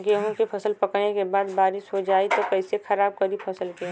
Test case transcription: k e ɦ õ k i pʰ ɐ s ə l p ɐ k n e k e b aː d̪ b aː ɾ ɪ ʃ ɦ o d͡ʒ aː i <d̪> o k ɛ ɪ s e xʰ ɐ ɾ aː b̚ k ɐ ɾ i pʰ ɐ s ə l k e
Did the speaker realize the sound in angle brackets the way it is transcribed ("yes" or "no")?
no